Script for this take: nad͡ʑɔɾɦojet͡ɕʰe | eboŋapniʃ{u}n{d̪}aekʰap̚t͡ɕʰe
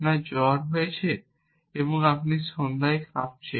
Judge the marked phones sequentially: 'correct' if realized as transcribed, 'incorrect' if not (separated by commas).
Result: incorrect, correct